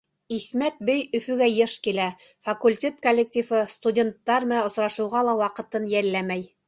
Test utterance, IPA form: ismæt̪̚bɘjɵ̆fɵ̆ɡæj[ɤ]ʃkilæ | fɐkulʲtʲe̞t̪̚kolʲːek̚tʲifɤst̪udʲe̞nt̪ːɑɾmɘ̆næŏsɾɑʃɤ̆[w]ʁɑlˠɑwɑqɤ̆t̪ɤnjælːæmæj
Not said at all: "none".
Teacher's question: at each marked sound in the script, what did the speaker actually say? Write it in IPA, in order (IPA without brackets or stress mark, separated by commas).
ɤ, w